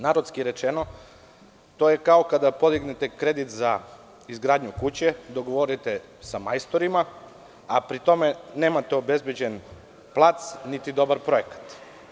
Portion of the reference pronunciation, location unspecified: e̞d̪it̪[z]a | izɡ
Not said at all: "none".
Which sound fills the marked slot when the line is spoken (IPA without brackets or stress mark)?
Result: z